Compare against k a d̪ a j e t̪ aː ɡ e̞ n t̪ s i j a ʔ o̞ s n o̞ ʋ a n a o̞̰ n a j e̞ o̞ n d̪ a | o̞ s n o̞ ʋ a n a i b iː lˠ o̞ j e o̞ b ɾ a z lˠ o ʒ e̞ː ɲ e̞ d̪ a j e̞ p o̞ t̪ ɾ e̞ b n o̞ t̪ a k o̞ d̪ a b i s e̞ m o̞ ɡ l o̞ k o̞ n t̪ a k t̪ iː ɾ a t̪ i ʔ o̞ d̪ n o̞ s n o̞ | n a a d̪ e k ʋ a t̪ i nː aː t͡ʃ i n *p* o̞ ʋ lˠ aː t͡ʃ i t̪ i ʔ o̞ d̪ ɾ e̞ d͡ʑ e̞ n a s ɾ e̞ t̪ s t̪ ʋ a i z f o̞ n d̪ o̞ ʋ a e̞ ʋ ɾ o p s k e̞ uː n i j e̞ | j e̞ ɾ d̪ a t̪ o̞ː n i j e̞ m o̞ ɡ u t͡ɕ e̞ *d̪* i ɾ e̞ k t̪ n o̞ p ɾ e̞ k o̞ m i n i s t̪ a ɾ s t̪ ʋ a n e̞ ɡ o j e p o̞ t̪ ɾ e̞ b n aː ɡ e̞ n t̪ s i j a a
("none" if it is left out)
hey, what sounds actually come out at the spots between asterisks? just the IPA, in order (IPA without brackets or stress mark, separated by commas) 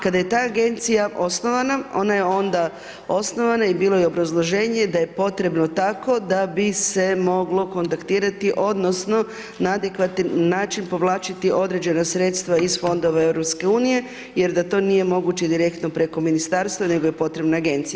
p, d̪